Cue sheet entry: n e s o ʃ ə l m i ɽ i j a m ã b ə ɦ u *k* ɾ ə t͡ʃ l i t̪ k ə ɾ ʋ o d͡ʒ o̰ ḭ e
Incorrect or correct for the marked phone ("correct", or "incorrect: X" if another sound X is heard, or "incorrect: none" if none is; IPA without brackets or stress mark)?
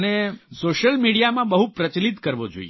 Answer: incorrect: p